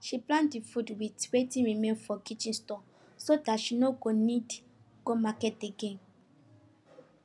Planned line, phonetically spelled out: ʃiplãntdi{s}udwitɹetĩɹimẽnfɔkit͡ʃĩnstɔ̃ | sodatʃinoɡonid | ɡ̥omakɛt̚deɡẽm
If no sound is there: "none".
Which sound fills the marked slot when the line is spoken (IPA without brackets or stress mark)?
f